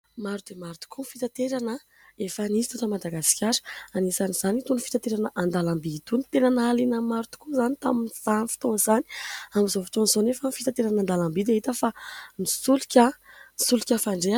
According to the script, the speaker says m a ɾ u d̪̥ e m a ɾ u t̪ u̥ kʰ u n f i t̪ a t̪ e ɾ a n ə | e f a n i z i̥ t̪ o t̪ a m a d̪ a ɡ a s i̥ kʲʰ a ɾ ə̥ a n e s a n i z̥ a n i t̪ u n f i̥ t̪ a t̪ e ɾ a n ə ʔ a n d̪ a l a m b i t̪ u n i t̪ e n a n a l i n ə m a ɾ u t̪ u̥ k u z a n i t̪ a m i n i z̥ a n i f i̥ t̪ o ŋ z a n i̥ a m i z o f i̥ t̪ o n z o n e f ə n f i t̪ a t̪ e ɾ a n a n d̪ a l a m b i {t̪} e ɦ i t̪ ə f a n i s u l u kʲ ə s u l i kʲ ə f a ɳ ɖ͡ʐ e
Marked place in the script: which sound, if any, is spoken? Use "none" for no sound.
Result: d̪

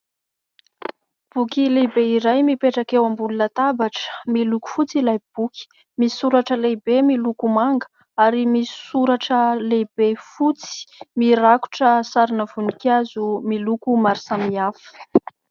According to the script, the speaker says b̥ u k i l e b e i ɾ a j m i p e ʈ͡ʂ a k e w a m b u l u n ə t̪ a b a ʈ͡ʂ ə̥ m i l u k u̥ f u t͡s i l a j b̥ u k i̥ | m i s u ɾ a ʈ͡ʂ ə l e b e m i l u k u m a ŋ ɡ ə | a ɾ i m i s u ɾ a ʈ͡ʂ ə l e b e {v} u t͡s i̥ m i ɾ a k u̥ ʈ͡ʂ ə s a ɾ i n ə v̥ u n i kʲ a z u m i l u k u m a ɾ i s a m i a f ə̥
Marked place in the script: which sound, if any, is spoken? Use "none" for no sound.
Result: f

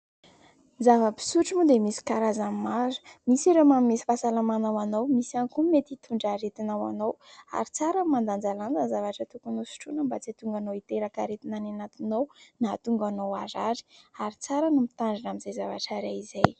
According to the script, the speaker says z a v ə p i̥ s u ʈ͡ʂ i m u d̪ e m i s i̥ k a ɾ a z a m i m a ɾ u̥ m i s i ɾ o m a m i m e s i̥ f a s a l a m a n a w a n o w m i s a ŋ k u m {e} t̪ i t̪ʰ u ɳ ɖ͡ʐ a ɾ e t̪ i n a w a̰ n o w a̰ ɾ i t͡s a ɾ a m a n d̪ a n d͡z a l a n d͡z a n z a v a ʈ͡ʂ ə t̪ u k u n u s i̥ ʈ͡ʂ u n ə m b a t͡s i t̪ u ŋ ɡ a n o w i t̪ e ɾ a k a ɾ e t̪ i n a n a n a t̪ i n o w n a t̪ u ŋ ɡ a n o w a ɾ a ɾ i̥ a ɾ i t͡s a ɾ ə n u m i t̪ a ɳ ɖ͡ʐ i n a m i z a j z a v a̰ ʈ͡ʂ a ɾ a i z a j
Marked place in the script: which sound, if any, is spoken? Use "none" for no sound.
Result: e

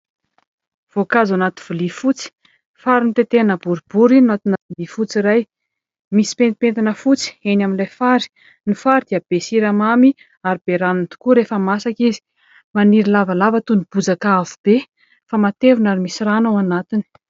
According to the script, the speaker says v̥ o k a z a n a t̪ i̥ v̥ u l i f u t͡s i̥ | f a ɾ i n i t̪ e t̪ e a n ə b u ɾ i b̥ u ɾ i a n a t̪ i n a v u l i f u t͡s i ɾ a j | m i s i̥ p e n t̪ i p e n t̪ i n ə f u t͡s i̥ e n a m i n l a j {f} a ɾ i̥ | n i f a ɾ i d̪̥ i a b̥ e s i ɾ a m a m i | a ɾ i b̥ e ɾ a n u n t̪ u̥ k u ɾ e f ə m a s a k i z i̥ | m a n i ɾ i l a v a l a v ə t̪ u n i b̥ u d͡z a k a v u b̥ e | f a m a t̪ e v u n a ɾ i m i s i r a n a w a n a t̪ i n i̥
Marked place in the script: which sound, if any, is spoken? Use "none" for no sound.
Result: f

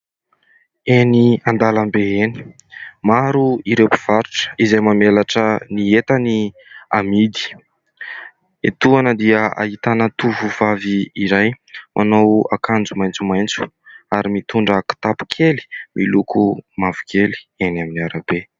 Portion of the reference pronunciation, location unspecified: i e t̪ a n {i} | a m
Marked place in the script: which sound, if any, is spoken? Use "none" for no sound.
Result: i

